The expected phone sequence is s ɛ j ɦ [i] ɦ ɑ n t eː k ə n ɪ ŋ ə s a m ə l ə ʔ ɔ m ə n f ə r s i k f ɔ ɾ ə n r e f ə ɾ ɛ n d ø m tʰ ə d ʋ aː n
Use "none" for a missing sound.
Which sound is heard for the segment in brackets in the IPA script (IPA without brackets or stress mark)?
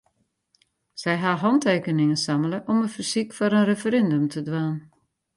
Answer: a